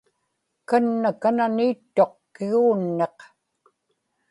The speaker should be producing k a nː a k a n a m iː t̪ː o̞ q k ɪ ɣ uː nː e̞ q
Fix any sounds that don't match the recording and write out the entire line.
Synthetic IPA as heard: k a nː a k a n a n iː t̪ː o̞ q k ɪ ɣ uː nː e̞ q